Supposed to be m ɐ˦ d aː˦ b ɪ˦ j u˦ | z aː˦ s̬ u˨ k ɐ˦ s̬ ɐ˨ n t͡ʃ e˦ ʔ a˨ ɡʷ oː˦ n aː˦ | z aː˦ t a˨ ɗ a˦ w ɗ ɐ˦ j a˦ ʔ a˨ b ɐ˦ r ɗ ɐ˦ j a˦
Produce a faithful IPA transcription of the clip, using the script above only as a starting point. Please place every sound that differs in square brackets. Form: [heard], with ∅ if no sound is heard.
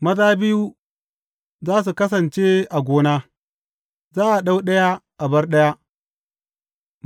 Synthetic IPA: m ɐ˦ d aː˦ b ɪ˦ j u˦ | z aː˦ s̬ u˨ k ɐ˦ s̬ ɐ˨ n t͡ʃ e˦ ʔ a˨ ɡʷ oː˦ n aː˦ | z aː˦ [ʔ] a˨ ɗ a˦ w ɗ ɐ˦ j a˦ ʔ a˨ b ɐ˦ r ɗ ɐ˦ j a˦